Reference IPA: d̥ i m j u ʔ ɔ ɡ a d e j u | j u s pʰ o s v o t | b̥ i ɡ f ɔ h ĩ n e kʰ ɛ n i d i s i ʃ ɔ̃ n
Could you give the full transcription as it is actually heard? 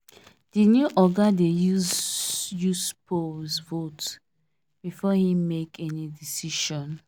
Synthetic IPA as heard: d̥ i n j u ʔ ɔ ɡ a d e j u | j u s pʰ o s v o t | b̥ i f ɔ h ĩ m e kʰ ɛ n i d i s i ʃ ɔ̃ n